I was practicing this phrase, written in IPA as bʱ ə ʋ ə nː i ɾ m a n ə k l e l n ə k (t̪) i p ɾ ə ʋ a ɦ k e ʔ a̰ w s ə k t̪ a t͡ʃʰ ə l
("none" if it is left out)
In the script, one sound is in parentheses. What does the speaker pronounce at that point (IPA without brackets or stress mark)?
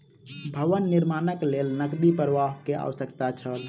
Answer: d̪